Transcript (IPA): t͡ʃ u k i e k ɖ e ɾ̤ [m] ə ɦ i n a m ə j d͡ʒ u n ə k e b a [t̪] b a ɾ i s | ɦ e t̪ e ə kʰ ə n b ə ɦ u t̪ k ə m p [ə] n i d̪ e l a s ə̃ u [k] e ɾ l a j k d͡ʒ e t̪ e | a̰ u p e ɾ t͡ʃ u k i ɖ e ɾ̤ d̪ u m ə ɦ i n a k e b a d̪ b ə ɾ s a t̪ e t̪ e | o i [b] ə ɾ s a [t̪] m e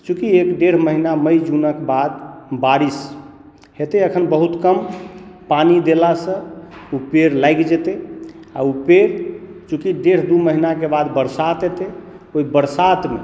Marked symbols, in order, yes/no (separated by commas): yes, no, no, no, yes, yes